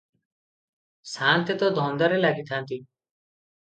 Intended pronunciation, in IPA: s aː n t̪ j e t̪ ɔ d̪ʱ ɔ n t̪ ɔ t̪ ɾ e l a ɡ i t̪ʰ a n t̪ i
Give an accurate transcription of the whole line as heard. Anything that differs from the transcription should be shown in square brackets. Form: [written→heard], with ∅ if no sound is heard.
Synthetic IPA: s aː n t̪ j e t̪ ɔ d̪ʱ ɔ n [t̪→d̪] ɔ [t̪→∅] ɾ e l a ɡ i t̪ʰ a n t̪ i